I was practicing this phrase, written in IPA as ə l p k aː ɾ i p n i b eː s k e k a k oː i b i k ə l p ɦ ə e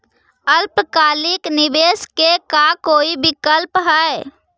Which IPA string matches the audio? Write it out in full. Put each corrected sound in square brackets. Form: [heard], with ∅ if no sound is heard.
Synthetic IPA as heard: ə l p k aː [l] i [k] n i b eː s k e k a k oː i b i k ə l p ɦ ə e